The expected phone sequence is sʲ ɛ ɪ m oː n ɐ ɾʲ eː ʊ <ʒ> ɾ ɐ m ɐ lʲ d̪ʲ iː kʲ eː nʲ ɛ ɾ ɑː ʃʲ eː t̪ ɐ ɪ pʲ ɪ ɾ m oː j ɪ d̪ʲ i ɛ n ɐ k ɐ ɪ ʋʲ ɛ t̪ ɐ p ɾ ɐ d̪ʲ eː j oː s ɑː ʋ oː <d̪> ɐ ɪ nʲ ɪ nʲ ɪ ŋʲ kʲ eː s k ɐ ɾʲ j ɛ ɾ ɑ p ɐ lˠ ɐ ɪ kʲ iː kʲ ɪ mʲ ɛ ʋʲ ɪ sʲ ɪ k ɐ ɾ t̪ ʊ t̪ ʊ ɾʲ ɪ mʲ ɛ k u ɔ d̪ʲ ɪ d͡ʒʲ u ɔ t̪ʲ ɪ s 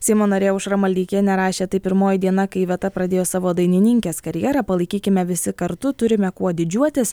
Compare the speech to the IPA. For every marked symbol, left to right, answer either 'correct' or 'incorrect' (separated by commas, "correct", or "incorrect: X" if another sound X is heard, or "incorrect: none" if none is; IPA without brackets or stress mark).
incorrect: ʃ, correct